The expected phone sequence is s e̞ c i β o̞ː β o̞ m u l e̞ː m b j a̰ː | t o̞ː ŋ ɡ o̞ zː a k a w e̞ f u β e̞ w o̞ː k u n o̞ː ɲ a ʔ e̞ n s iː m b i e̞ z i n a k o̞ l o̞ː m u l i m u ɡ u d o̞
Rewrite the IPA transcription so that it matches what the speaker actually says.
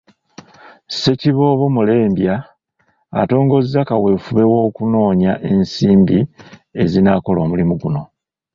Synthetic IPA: s e̞ c i β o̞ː β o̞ m u l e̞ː m b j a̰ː | t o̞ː ŋ ɡ o̞ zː a k a w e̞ f u β e̞ w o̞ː k u n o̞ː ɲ a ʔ e̞ n s iː m b i e̞ z i n a k o̞ l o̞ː m u l i m u ɡ u n o̞

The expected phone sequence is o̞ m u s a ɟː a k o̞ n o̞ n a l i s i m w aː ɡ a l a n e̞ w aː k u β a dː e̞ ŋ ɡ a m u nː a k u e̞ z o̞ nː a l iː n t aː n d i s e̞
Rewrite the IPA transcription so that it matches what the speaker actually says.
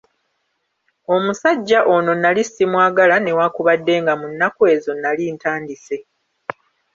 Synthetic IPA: o̞ m u s a ɟː a ʔ o̞ n o̞ n a l i s i m w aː ɡ a l a n e̞ w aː k u β a dː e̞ ŋ ɡ a m u nː a k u e̞ z o̞ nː a l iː n t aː n d i s e̞

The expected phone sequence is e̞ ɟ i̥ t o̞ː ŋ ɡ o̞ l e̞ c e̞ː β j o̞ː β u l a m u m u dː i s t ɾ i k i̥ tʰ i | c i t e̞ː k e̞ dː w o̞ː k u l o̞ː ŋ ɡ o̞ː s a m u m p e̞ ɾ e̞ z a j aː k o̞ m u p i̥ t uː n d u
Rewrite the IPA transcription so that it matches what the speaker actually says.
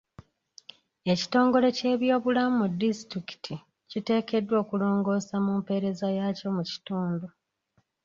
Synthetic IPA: e̞ c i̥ t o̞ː ŋ ɡ o̞ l e̞ c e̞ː β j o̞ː β u l a m u m u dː i s t ɾ i k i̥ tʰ i | c i t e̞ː k e̞ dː w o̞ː k u l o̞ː ŋ ɡ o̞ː s a m u m p e̞ ɾ e̞ z a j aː c o̞ m u c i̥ t uː n d u

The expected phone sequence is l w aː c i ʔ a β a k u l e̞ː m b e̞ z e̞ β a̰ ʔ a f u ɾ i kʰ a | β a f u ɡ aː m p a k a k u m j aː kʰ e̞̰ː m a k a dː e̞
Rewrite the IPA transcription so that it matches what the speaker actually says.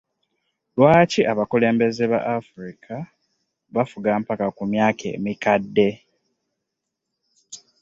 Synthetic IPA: l w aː c i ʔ a β a k u l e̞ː m b e̞ z e̞ β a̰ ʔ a f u ɾ i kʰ a | β a f u ɡ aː m p a k a k u m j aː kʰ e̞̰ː m i k a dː e̞

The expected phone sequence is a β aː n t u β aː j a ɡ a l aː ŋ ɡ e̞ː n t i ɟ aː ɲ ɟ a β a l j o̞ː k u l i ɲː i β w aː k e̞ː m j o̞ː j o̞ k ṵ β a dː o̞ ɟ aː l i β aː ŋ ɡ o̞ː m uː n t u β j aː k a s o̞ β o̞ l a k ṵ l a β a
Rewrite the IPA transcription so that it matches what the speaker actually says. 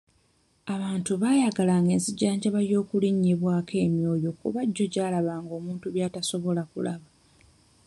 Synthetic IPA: a β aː n t u β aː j a ɡ a l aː ŋ ɡ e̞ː n s i ɟ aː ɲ ɟ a β a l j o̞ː k u l i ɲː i β w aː k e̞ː m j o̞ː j o̞ k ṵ β a ɟː o̞ ɟ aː l a β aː ŋ ɡ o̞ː m uː n t u β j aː t a s o̞ β o̞ l a k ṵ l a β a

